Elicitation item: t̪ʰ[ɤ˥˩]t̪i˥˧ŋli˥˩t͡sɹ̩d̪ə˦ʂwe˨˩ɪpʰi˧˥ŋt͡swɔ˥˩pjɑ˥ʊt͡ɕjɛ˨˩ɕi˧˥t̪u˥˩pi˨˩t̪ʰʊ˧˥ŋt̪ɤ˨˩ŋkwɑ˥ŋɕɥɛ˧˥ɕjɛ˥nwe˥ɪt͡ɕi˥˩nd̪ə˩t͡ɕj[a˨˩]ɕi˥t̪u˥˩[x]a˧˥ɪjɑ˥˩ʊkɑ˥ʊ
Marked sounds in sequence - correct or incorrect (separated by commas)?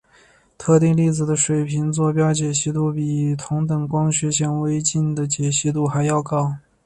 incorrect, incorrect, correct